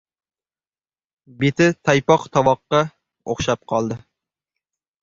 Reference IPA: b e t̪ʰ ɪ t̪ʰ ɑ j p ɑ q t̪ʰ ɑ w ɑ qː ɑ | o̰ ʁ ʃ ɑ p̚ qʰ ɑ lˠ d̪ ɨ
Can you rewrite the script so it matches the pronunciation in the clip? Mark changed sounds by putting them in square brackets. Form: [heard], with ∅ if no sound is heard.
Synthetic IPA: b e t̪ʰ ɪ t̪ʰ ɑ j p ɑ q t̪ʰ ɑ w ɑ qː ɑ | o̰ [χ] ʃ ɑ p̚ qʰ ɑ lˠ d̪ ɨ